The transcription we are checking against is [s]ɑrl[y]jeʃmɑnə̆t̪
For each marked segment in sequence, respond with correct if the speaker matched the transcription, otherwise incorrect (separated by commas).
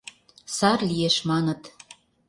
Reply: correct, incorrect